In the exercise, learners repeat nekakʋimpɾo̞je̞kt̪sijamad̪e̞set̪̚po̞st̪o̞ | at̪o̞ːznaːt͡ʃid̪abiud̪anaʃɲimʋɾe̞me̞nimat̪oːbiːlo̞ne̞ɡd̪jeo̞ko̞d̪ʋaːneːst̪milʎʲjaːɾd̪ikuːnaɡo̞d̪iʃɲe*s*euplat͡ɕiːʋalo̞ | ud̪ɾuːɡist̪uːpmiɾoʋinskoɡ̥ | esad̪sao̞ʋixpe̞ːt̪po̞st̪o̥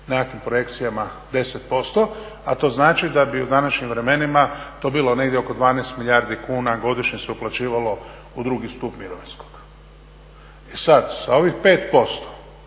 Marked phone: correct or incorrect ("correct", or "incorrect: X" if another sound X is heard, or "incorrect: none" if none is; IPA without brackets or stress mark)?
correct